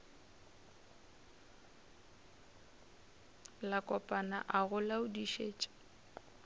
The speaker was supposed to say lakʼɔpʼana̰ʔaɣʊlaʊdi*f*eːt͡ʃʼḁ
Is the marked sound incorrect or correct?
incorrect